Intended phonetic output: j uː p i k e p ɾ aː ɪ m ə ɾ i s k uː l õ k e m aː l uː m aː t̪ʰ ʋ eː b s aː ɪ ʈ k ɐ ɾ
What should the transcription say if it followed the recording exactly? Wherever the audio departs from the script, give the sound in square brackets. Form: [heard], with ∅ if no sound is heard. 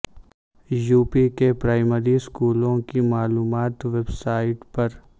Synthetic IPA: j uː p i k e p ɾ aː ɪ m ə ɾ i s k uː l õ k [i] m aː l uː m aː [t̪] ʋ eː b s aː ɪ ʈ [p] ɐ ɾ

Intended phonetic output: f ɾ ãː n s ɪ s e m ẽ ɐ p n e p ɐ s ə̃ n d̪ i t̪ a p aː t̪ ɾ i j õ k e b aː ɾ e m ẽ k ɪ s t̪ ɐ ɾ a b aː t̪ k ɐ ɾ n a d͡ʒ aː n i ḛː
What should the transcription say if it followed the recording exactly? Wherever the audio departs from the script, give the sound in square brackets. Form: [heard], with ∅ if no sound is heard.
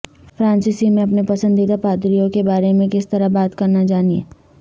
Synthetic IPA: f ɾ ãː n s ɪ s [i] m ẽ ɐ p n e p ɐ s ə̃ n d̪ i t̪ a p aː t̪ ɾ i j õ k e b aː ɾ e m ẽ k ɪ s t̪ ɐ ɾ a b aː t̪ k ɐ ɾ n a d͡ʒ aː n i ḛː

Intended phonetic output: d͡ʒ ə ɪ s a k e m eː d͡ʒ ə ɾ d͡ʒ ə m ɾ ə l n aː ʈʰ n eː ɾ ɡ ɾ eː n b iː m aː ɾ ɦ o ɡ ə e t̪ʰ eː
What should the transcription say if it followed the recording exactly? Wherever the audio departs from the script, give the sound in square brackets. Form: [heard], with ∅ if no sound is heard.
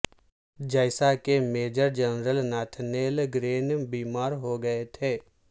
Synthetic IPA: d͡ʒ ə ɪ s a k e m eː d͡ʒ ə ɾ d͡ʒ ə [n] ɾ ə l n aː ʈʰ n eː [l] ɡ ɾ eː n b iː m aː ɾ ɦ o ɡ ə e t̪ʰ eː

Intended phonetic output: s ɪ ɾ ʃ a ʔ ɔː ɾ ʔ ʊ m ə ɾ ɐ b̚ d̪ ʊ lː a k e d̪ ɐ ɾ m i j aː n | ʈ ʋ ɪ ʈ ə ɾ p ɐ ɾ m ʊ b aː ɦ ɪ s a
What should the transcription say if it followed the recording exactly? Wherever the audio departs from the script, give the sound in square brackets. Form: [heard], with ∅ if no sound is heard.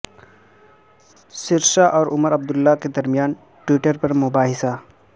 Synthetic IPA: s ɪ ɾ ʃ a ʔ ɔː ɾ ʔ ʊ m ə ɾ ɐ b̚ d̪ ʊ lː a k e d̪ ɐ ɾ m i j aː n | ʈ [w] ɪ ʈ ə ɾ p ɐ ɾ m ʊ b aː ɦ ɪ s a

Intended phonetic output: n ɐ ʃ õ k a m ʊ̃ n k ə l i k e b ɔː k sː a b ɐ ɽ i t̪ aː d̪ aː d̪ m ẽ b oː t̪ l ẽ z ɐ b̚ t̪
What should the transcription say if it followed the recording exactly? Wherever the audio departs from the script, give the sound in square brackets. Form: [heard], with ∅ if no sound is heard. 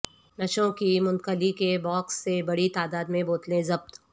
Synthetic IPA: n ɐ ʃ õ k [i] m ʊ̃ n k ə l i k e b ɔː k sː [e] b ɐ ɽ i t̪ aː d̪ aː d̪ m ẽ b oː t̪ l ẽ z ɐ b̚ t̪

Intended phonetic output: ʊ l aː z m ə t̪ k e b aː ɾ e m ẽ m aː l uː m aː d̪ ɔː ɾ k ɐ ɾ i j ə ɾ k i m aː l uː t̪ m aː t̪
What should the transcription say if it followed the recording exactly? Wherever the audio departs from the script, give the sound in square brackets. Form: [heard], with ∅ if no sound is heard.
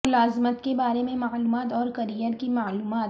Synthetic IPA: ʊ l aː z m ə t̪ k e b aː ɾ e m ẽ m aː l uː m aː [t̪] ɔː ɾ k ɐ ɾ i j ə ɾ k i m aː l uː [∅] m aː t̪

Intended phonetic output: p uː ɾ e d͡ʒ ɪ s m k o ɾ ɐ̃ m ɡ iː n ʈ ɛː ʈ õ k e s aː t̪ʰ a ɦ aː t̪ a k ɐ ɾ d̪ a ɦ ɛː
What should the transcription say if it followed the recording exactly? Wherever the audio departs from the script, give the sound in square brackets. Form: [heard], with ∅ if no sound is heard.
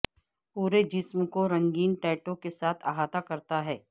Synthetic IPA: p uː ɾ e d͡ʒ ɪ s m k o ɾ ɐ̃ [ŋ] ɡ iː n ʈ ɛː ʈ õ k e s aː t̪ʰ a ɦ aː t̪ a k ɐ ɾ [t̪] a ɦ ɛː

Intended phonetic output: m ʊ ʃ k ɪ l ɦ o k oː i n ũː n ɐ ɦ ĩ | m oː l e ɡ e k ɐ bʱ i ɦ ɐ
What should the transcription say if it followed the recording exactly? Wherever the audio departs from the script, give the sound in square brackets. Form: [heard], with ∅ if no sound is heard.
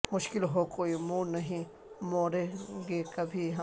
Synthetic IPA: m ʊ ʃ k ɪ l ɦ o k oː i [m] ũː n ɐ ɦ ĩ | m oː [ɾ] e ɡ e k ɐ bʱ i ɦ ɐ

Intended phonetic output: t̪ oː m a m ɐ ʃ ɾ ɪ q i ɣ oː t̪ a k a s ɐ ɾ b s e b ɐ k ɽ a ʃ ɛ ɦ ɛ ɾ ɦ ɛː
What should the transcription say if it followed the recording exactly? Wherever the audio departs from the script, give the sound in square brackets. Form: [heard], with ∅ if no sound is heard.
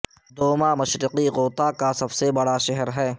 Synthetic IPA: [d̪] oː m a m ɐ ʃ ɾ ɪ q i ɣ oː t̪ a k a s ɐ [∅] b s e b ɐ [∅] ɽ a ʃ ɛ ɦ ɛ ɾ ɦ ɛː

